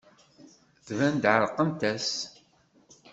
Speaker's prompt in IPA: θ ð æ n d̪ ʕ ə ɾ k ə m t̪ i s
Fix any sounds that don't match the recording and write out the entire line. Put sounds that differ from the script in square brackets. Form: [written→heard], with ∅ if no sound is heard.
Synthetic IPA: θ [ð→v] æ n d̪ ʕ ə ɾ [k→q] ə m t̪ [i→æ] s

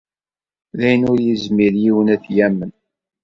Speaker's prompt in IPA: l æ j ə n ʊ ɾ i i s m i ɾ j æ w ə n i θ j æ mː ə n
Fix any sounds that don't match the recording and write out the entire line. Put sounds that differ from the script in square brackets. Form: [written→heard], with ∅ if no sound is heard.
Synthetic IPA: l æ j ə n ʊ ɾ [i→j] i [s→z] m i ɾ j [æ→i] w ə n [i→æ] θ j æ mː ə n

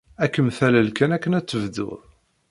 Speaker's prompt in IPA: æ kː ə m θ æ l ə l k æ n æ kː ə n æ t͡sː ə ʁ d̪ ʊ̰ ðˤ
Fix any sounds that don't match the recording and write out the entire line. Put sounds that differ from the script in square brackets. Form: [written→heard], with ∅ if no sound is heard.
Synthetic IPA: æ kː ə m θ æ l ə l k æ n æ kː ə n æ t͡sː ə [ʁ→v] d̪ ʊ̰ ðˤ

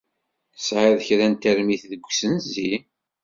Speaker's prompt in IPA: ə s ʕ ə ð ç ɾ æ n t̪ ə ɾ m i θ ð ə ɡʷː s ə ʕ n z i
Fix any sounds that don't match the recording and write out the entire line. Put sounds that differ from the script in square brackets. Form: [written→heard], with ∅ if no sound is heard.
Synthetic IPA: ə s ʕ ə ð ç ɾ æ n t̪ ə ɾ m i θ ð ə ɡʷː s ə [ʕ→∅] n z i

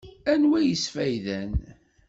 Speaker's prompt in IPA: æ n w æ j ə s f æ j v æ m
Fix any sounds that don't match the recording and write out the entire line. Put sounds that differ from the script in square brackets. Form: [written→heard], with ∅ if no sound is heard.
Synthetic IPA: æ n w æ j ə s f æ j [v→ð] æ [m→n]

